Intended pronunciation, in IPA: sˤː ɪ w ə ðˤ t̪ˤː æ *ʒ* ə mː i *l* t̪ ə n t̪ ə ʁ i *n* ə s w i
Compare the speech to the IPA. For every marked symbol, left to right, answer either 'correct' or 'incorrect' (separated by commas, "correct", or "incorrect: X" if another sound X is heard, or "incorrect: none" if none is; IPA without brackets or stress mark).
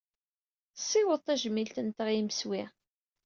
correct, correct, incorrect: m